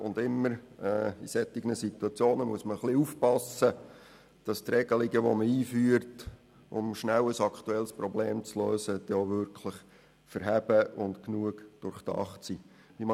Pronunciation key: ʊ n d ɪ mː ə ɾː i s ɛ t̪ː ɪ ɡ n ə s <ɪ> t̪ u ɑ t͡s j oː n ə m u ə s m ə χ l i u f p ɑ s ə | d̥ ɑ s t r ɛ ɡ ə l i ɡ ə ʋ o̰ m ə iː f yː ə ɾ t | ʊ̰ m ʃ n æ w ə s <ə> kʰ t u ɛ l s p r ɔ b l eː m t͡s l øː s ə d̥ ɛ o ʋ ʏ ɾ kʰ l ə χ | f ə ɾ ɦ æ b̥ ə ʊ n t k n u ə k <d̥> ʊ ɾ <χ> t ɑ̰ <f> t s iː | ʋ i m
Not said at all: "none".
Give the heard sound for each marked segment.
i, ɑ, d̥, χ, χ

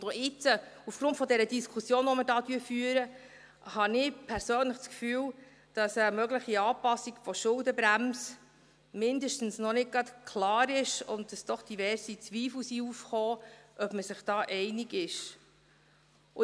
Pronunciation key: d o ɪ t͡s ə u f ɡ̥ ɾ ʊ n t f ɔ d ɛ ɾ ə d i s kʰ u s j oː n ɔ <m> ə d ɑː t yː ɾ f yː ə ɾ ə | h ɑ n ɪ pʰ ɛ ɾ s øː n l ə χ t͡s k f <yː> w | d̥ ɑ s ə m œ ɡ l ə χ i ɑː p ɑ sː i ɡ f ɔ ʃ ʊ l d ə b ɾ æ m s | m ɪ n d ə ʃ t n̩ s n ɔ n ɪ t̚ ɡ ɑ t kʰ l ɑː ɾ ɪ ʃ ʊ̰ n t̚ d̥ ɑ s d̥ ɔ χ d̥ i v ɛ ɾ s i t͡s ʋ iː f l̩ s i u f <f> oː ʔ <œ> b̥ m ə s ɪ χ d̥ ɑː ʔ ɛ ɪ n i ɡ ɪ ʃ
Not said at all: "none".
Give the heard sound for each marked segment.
m, yː, χ, œ

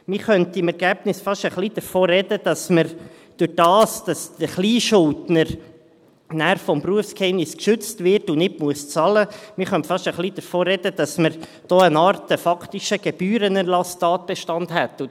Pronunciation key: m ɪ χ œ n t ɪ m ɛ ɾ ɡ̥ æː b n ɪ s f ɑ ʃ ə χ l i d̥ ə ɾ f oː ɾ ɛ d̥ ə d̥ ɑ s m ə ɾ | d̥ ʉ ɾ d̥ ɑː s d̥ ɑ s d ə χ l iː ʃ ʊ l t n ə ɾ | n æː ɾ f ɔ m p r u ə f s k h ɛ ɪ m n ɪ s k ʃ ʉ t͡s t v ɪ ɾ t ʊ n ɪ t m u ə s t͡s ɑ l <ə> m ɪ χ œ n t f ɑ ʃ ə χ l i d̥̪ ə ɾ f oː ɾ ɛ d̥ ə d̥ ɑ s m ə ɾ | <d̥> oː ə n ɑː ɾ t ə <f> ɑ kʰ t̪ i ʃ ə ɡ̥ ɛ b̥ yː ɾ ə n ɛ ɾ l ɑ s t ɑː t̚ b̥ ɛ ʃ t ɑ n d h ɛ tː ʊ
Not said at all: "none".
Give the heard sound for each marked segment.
ə, d̥, f

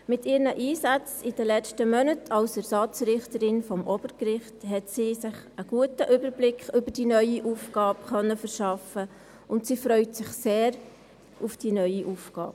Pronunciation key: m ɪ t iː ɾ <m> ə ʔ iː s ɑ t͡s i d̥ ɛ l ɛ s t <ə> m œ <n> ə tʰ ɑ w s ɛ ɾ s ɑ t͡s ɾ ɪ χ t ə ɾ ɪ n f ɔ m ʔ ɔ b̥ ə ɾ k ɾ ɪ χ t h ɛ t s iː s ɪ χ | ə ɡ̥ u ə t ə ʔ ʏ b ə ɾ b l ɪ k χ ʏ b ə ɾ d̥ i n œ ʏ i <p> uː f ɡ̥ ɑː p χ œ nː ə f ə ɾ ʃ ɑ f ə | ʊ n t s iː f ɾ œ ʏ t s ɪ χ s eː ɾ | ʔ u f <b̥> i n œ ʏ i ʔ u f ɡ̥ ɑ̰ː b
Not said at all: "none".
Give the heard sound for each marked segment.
n, ə, n, ʔ, d̥

